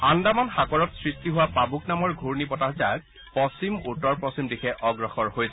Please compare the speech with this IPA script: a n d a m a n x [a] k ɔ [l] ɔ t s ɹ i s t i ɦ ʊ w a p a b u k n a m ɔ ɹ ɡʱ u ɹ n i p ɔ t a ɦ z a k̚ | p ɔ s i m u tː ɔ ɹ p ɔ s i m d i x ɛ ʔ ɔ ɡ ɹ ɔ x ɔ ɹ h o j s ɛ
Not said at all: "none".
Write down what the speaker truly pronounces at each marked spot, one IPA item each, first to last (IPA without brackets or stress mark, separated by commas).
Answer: a, ɹ